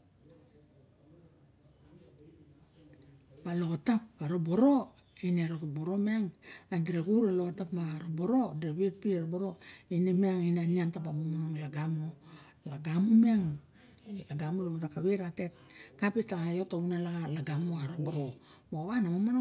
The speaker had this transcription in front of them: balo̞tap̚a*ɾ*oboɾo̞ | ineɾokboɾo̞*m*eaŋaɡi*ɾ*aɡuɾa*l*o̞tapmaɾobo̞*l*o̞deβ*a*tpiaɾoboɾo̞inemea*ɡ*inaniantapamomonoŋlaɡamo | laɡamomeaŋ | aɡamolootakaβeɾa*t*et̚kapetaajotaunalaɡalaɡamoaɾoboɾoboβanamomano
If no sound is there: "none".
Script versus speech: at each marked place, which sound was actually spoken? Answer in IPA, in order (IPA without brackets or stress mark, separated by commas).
ɾ, m, ɾ, l, ɾ, e, ŋ, t